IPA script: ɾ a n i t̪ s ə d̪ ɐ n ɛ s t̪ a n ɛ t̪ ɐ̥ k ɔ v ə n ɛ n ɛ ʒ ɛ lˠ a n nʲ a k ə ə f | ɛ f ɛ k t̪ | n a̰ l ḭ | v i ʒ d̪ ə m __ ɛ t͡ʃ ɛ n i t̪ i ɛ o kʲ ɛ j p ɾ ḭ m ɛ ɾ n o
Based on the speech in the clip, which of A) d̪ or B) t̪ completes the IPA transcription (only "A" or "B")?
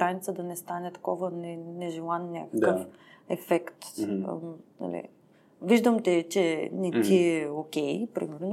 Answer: B